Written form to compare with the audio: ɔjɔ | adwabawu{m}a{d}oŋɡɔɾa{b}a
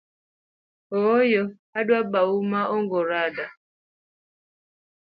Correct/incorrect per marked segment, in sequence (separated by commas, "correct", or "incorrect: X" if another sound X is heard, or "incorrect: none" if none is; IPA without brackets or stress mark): correct, incorrect: none, incorrect: d